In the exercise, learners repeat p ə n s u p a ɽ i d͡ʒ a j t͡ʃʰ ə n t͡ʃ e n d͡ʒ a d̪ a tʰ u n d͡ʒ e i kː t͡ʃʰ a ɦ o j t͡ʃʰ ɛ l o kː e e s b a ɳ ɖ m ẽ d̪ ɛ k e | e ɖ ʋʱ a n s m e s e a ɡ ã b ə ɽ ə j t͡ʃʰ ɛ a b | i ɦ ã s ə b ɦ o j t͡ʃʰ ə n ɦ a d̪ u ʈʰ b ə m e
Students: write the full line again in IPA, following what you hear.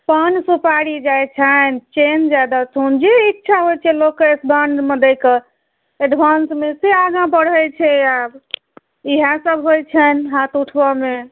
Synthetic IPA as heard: p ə n s u p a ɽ i d͡ʒ a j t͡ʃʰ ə n t͡ʃ e n d͡ʒ a d̪ a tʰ u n d͡ʒ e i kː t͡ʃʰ a ɦ o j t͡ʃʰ ɛ l o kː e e s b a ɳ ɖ m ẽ d̪ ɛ k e | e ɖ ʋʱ a n s m e s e a ɡ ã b ə ɽ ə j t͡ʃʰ ɛ a b | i ɦ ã s ə b ɦ o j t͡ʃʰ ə n ɦ a t̪ u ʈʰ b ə m e